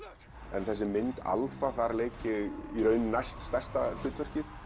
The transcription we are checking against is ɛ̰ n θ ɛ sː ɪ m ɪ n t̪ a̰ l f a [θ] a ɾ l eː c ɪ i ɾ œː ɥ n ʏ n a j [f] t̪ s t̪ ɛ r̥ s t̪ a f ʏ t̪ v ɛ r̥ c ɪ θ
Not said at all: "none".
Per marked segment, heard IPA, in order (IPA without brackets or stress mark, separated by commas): θ, s